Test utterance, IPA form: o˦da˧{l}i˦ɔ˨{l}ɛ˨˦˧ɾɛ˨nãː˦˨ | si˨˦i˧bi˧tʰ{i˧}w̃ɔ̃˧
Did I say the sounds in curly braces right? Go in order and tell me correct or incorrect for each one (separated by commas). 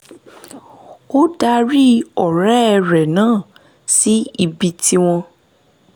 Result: incorrect, incorrect, correct